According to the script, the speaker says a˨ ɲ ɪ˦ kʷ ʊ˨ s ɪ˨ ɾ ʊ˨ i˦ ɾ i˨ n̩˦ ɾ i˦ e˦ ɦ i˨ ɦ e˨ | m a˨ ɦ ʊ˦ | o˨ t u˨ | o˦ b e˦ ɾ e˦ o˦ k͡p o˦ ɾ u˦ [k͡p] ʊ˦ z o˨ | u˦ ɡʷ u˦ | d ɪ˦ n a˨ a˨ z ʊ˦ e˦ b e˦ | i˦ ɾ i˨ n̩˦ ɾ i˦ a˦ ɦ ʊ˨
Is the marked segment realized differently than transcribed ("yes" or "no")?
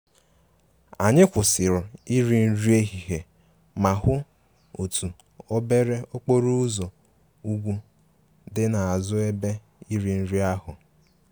yes